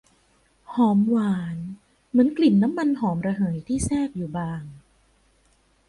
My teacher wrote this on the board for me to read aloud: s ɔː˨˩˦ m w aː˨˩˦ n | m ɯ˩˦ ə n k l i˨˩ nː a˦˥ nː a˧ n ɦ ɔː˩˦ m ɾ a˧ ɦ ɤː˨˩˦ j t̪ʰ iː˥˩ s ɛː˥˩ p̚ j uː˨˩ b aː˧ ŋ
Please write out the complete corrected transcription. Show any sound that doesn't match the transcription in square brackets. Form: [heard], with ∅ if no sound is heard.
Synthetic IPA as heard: [h] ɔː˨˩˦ m w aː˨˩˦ n | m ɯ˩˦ ə n k l i˨˩ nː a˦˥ [mː] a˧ n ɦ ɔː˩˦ m ɾ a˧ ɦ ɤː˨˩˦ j t̪ʰ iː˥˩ s ɛː˥˩ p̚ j uː˨˩ b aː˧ ŋ